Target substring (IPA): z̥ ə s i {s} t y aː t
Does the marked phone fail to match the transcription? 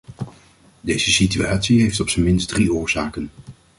yes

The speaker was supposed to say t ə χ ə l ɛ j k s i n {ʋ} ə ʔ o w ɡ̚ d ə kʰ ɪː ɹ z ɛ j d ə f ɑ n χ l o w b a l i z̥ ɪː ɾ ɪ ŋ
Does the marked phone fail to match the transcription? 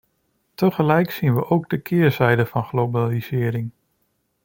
no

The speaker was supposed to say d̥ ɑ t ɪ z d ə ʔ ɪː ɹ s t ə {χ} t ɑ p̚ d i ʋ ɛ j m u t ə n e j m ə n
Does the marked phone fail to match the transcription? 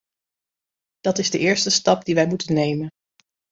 yes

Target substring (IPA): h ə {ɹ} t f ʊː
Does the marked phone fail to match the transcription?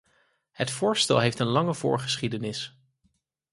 yes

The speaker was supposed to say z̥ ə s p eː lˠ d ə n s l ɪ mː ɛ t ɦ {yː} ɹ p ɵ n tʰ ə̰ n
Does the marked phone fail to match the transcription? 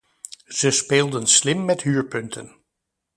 no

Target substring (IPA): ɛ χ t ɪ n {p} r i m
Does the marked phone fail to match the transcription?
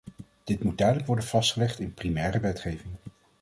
no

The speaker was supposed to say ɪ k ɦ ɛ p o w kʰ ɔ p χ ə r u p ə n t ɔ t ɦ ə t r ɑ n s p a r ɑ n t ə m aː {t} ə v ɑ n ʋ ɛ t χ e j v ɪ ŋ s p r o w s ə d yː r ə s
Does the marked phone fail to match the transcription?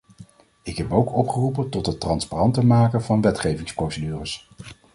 yes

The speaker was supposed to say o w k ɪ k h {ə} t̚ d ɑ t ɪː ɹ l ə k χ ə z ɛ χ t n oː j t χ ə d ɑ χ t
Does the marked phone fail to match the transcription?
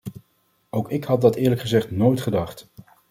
yes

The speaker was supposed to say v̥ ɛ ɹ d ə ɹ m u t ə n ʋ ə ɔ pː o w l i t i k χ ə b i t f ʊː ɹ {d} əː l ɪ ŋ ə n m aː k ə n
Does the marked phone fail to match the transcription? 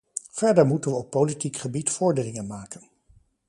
no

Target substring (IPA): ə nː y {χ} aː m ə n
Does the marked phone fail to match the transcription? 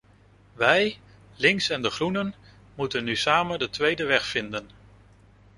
yes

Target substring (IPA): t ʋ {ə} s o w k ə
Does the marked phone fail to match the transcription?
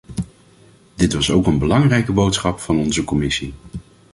yes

